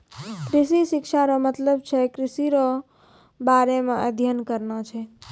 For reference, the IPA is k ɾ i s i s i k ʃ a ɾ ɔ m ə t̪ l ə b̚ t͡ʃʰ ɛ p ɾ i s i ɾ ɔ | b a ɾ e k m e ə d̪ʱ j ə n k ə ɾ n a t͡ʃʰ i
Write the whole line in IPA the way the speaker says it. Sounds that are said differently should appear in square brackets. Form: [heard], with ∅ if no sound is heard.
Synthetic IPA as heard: k ɾ i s i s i k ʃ a ɾ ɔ m ə t̪ l ə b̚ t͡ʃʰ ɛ [k] ɾ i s i ɾ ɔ | b a ɾ e [∅] m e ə d̪ʱ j ə n k ə ɾ n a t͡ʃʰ [ɛ]